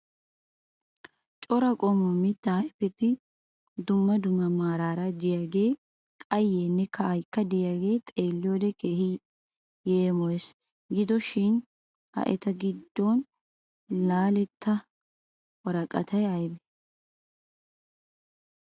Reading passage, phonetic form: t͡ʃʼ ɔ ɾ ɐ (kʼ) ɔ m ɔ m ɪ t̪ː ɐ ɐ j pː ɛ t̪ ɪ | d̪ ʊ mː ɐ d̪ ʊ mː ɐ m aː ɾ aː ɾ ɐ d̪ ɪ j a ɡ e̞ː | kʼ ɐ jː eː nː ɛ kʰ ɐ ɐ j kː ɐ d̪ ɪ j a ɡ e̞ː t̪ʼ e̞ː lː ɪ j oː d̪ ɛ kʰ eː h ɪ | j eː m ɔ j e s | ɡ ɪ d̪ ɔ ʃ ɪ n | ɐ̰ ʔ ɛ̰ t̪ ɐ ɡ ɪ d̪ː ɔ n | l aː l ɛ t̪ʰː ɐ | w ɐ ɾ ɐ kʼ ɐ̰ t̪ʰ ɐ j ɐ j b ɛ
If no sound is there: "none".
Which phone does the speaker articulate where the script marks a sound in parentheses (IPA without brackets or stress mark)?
kʼ